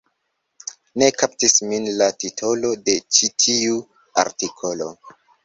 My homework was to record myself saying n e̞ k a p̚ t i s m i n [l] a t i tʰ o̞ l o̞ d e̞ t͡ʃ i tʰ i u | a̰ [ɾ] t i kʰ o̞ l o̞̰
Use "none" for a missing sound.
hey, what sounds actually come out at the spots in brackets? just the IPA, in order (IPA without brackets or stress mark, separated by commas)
l, ɾ